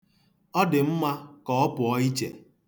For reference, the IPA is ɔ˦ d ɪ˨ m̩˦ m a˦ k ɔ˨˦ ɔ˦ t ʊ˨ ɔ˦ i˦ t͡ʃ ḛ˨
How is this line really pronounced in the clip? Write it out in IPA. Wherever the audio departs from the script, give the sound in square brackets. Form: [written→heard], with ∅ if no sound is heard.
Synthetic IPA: ɔ˦ d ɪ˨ m̩˦ m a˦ k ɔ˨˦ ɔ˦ [t→p] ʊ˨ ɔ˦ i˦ t͡ʃ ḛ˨

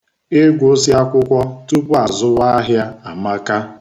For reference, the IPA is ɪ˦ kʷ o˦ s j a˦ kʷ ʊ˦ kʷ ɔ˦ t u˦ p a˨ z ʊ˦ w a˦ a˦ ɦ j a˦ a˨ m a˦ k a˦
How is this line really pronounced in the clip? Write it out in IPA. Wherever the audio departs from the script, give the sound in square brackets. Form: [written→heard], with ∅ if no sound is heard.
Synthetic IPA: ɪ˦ [kʷ→ɡʷ] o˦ s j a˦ kʷ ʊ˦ kʷ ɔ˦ t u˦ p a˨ z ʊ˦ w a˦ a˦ ɦ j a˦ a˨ m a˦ k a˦

